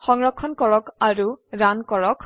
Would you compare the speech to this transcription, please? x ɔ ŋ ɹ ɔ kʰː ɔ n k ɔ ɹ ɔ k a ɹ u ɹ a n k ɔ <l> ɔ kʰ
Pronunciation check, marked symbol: incorrect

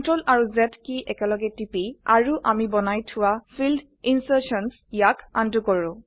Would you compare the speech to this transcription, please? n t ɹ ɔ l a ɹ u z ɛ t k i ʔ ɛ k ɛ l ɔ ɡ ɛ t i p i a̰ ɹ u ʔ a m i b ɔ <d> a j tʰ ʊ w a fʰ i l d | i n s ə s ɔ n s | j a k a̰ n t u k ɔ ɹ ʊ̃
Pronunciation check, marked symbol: incorrect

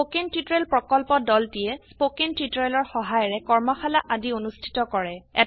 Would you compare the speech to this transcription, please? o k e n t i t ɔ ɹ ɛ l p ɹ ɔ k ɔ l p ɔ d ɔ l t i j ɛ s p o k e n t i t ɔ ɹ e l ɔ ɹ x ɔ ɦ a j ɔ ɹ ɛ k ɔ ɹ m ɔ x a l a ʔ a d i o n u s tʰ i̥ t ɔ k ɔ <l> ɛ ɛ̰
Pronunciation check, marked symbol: incorrect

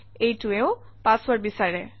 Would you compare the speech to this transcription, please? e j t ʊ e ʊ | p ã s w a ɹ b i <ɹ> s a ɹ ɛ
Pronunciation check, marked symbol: incorrect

